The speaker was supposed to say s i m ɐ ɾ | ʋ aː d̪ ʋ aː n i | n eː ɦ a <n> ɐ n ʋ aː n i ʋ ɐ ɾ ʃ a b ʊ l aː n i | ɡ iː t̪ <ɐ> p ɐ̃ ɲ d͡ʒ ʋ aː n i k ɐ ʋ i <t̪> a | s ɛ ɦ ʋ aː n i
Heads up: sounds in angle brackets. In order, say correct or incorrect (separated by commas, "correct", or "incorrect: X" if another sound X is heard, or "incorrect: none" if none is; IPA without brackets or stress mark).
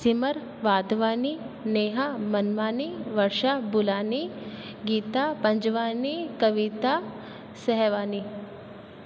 incorrect: m, incorrect: a, correct